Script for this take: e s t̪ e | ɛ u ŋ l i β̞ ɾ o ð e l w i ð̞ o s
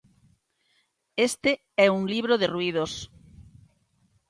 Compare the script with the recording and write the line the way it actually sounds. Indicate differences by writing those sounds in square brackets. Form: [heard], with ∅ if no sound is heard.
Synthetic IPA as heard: e s t̪ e | ɛ u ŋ l i β̞ ɾ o ð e [r] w i ð̞ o s

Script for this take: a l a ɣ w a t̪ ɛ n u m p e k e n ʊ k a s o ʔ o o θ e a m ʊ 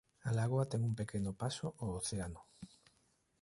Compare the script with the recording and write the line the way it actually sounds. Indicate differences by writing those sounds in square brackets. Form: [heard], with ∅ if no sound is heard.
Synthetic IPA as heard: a l a ɣ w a t̪ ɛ [ŋ] u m p e k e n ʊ [p] a s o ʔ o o θ e a [n] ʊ

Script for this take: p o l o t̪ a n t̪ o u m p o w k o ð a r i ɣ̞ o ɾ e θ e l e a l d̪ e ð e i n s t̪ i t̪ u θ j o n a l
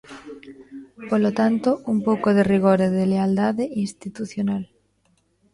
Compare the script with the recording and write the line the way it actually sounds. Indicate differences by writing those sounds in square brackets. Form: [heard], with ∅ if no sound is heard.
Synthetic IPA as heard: p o l o t̪ a n t̪ o u m p o w k o ð [e] r i ɣ̞ o ɾ e [ð] e l e a l d̪ [a] ð e i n s t̪ i t̪ u θ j o n a l

